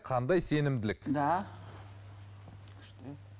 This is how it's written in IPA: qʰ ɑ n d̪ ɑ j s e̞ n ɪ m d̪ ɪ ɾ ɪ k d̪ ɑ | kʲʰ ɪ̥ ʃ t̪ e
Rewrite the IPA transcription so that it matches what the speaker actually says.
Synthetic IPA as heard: qʰ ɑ n d̪ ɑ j s e̞ n ɪ m d̪ ɪ l ɪ k d̪ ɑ | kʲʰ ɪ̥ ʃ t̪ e

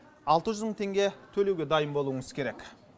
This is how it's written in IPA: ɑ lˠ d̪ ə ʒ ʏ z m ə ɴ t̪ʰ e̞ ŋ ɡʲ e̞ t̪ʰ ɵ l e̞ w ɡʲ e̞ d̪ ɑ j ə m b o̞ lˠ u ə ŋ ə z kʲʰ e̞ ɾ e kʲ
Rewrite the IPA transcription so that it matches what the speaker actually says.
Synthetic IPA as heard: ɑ lˠ t̪ ə ʒ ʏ z m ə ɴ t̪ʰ e̞ ŋ ɡʲ e̞ t̪ʰ ɵ l e̞ w ɡʲ e̞ d̪ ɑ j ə m b o̞ lˠ u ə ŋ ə z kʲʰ e̞ ɾ e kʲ

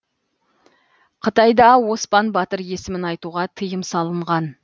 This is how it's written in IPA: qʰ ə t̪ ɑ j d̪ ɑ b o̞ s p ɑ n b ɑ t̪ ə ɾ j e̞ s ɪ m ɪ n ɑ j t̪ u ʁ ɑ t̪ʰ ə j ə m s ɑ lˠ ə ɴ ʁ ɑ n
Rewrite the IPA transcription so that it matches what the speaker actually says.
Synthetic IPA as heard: qʰ ə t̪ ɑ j d̪ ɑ w o̞ s p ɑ n b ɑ t̪ ə ɾ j e̞ s ɪ m ɪ n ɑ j t̪ u ʁ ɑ t̪ʰ ə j ə m s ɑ lˠ ə ɴ ʁ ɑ n

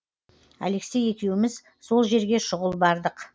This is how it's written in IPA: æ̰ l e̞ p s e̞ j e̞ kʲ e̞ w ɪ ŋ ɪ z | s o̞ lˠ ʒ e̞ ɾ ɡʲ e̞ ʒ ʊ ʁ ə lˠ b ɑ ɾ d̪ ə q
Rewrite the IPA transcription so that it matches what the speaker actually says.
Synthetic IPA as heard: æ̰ l e̞ k s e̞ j e̞ kʲ e̞ w ɪ m ɪ z | s o̞ lˠ ʒ e̞ ɾ ɡʲ e̞ ʃ ʊ ʁ ə lˠ b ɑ ɾ d̪ ə q

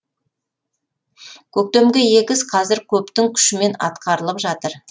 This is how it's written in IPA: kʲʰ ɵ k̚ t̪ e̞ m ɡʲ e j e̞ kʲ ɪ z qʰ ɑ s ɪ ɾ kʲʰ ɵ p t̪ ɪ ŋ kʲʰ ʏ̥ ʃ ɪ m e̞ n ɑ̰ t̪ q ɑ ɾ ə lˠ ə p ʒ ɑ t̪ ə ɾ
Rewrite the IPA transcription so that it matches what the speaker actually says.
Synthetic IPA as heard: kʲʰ ɵ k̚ t̪ e̞ m ɡʲ e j e̞ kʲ ɪ z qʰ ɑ z ɪ ɾ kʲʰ ɵ p t̪ ɪ ŋ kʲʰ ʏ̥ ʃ ɪ m e̞ n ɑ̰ t̪ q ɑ ɾ ə lˠ ə p ʒ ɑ t̪ ə ɾ

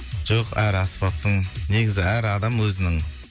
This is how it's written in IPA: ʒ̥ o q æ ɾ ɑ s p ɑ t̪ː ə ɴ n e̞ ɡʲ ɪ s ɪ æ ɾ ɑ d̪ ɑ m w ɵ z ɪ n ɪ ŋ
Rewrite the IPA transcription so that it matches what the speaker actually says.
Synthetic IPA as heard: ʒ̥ o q æ ɾ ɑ s p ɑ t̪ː ə ɴ n e̞ ɡʲ ɪ z ɪ æ ɾ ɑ d̪ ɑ m w ɵ z ɪ n ɪ ŋ

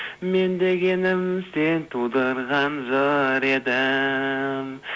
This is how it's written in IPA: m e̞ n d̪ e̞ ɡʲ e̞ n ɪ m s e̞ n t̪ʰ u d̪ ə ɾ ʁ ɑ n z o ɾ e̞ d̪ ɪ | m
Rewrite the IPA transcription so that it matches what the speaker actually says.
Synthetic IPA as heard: m e̞ n d̪ e̞ ɡʲ e̞ n ɪ m s e̞ n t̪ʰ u d̪ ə ɾ ʁ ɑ n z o ɾ e̞ d̪ ɪ | m

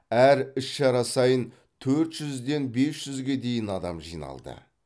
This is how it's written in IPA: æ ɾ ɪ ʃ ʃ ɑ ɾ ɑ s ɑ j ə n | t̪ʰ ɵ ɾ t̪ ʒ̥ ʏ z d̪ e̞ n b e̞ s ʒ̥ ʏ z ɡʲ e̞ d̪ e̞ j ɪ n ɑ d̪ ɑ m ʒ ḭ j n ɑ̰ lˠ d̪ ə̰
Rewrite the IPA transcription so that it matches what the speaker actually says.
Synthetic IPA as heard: æ ɾ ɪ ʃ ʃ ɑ ɾ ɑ s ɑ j ə n | t̪ʰ ɵ ɾ t̪ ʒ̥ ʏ z d̪ e̞ n b e̞ s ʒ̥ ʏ z ɡʲ e̞ d̪ e̞ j ɪ n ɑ d̪ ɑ m ʒ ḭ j n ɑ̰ lˠ d̪ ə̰

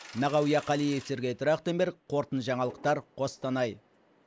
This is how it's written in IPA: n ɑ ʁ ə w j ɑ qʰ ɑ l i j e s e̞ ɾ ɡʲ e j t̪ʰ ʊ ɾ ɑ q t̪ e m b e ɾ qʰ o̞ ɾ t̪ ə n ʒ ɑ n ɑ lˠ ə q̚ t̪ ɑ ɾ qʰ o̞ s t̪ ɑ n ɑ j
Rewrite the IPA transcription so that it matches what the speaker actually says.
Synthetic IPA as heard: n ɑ ʁ ɑ w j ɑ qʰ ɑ l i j e s e̞ ɾ ɡʲ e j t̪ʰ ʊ ɾ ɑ q t̪ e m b e ɾ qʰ o̞ ɾ t̪ ə n ʒ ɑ ɴ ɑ lˠ ə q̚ t̪ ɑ ɾ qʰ o̞ s t̪ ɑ n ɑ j

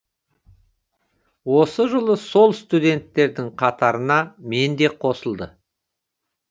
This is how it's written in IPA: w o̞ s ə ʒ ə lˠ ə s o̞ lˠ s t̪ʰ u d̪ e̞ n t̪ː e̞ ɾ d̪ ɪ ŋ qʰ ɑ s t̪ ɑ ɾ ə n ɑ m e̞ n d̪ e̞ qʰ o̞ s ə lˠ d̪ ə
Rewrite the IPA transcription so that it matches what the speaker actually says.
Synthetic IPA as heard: w o̞ s ə ʒ ə lˠ ə s o̞ lˠ s t̪ u d̪ e̞ n t̪ː e̞ ɾ d̪ ɪ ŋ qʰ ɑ t̪ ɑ ɾ ə n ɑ m e̞ n d̪ e̞ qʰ o̞ s ə lˠ d̪ ə

